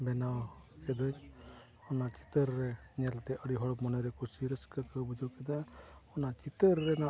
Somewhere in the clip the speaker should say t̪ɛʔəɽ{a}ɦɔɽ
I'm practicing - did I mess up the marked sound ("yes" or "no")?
yes